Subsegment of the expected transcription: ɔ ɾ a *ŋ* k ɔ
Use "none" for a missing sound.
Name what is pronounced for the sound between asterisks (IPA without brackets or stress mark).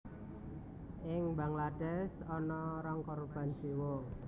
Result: ŋ